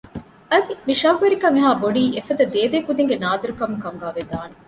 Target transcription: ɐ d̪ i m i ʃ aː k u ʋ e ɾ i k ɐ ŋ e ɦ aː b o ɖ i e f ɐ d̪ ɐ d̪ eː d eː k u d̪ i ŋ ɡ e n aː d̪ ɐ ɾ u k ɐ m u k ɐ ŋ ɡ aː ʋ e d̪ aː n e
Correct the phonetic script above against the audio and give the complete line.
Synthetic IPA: ɐ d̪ i m i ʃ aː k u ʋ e ɾ i k ɐ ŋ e ɦ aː b o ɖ iː e f ɐ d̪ ɐ d̪ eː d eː k u d̪ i ŋ ɡ e n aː d̪ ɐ ɾ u k ɐ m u k ɐ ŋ ɡ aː ʋ e d̪ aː n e